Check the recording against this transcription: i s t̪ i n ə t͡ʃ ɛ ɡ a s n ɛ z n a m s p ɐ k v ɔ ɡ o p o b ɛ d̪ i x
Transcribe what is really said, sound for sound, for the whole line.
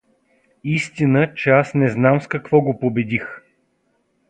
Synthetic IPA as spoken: i s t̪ i n ə t͡ʃ ɛ a s n ɛ z n a m s k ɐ k v ɔ ɡ o p o b ɛ d̪ i x